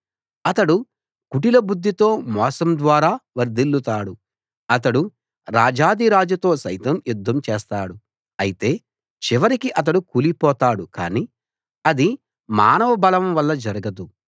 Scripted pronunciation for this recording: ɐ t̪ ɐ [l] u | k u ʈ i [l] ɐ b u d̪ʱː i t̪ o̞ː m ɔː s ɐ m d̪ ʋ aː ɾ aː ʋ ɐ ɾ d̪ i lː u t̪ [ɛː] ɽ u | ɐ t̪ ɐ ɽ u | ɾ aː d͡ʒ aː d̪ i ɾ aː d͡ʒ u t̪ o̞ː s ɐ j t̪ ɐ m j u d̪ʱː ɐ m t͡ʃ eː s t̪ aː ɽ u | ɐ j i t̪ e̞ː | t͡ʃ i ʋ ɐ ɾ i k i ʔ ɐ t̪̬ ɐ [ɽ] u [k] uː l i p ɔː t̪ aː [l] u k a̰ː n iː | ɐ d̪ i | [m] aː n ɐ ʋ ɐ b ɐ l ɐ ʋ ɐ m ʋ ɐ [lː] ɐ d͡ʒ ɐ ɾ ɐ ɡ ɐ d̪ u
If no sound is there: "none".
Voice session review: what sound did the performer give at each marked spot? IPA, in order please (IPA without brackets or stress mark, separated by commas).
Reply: ɽ, l, aː, ɽ, k, ɽ, m, lː